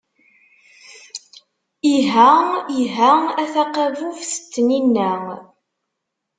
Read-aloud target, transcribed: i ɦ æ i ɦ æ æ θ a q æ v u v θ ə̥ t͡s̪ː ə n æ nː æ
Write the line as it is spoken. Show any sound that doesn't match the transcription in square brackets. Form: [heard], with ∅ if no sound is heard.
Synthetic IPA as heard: i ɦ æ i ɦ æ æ θ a q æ v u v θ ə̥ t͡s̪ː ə n [i] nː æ